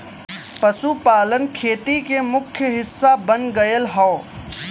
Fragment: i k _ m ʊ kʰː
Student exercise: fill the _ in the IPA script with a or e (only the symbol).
e